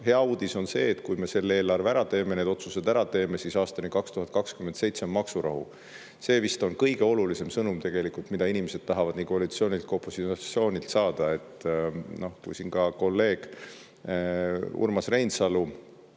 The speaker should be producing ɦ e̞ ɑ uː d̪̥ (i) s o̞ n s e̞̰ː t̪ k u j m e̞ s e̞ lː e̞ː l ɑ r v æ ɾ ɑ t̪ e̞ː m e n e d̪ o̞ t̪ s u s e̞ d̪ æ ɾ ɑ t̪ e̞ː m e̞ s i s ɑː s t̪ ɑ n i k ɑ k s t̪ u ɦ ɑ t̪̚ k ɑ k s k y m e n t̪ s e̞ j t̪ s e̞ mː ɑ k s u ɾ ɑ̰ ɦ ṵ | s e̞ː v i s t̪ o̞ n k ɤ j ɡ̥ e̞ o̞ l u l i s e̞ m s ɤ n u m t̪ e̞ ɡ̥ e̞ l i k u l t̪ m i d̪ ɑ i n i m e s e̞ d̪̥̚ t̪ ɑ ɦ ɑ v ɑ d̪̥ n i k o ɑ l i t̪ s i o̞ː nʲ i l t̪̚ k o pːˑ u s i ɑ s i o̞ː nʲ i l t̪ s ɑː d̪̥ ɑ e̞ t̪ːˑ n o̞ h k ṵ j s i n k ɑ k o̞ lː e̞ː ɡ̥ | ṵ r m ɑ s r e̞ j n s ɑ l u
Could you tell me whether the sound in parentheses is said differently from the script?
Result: no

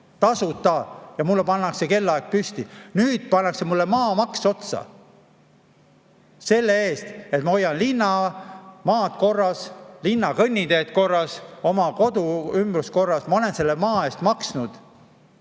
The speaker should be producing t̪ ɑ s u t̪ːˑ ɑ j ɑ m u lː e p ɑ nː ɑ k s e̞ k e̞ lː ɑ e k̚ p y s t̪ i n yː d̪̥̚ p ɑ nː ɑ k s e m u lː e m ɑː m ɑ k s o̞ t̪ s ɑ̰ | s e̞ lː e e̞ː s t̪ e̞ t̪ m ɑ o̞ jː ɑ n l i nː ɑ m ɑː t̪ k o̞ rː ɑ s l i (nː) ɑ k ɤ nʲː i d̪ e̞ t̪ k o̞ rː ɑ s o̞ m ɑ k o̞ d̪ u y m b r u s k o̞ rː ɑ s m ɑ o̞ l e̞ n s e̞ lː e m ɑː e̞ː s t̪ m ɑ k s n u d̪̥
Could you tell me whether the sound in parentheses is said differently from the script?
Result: no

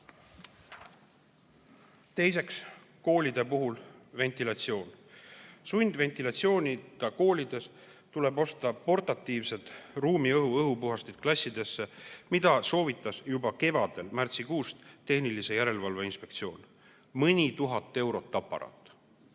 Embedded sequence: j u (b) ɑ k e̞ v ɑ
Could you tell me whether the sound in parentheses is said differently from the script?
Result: no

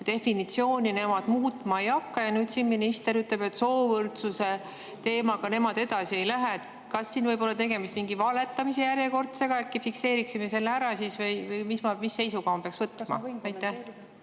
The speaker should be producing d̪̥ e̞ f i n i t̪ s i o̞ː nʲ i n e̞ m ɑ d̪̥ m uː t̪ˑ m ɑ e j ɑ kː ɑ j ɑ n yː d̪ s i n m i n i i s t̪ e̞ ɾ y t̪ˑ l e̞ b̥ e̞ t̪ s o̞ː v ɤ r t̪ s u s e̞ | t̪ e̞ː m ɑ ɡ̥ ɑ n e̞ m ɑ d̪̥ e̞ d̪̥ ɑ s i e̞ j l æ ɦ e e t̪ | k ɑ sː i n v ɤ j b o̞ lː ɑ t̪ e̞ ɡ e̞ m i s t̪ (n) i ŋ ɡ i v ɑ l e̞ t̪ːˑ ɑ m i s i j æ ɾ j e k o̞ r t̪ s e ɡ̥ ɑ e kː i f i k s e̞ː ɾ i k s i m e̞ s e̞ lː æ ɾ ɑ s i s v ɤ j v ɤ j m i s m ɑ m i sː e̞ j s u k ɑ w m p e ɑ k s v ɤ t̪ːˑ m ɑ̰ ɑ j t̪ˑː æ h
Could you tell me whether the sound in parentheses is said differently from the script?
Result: yes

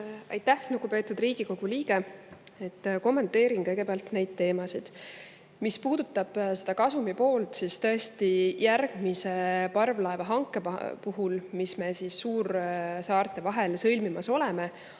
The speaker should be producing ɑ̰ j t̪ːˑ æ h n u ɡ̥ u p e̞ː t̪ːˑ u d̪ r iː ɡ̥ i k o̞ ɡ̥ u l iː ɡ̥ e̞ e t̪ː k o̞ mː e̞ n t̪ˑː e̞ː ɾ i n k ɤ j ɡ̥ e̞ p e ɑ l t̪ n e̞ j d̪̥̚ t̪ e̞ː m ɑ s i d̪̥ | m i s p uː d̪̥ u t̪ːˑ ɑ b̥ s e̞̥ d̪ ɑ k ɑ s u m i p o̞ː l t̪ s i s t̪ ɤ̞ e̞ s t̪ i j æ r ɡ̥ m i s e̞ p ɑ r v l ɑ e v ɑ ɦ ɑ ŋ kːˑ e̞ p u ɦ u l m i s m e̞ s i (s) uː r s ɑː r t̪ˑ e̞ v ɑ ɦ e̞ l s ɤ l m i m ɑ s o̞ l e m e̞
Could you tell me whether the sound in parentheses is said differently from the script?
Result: yes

